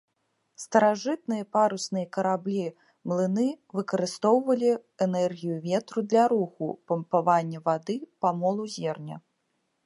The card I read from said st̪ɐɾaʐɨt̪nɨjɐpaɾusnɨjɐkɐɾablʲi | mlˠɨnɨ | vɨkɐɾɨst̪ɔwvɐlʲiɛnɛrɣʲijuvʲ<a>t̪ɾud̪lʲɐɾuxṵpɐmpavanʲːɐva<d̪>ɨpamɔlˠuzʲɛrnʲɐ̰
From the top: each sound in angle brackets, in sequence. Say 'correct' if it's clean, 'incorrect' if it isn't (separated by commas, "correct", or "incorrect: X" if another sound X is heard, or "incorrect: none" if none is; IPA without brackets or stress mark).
incorrect: ɛ, correct